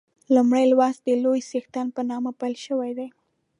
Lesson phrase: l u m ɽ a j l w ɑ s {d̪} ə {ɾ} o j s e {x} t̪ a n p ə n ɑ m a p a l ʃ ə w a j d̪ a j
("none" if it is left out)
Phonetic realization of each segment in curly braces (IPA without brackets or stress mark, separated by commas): d̪, l, x